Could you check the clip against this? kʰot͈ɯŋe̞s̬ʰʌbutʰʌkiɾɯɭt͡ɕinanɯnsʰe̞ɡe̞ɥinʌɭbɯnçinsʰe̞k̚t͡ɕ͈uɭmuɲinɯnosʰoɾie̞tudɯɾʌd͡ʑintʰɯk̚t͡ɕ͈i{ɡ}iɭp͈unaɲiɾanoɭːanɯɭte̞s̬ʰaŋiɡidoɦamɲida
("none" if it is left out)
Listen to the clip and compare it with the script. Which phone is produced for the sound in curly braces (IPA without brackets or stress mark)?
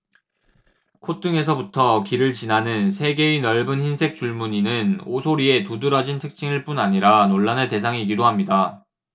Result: ŋ